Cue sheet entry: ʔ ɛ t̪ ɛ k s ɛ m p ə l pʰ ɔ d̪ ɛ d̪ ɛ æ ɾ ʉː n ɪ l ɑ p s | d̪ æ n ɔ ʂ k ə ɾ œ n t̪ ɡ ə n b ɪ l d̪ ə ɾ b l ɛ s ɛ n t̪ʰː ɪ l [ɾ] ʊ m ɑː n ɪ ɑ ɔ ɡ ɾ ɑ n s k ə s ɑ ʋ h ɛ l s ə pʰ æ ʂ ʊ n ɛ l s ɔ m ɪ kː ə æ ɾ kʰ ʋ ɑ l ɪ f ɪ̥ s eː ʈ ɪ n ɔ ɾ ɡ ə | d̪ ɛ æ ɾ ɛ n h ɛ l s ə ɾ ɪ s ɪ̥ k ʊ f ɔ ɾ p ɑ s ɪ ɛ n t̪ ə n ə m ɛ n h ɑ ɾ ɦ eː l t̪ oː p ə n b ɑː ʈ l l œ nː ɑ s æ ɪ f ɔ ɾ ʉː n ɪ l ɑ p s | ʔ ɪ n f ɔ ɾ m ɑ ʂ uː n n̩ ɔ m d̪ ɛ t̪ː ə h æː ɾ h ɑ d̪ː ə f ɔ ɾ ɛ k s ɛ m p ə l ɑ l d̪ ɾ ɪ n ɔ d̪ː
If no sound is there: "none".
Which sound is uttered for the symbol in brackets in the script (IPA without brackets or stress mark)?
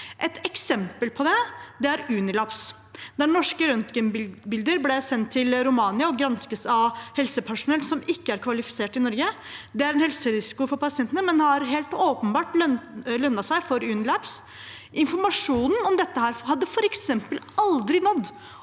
ɾ